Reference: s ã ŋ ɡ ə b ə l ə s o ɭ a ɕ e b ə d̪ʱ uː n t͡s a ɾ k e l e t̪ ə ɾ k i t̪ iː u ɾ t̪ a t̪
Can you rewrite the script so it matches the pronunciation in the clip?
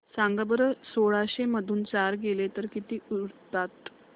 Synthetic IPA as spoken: s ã ŋ ɡ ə b ə ɾ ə s o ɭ a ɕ e m ə d̪ʱ uː n t͡s a ɾ ɡ e l e t̪ ə ɾ k i t̪ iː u ɾ t̪ a t̪